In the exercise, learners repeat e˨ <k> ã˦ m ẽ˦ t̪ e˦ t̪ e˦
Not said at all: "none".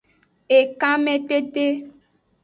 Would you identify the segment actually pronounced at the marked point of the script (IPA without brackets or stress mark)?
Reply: k